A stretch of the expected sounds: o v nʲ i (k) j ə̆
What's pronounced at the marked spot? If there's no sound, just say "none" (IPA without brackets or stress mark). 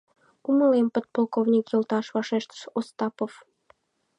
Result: k